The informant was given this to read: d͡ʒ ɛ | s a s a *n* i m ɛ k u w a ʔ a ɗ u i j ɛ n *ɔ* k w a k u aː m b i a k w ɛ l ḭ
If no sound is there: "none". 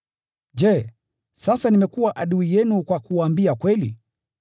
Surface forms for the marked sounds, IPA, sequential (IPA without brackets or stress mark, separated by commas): n, u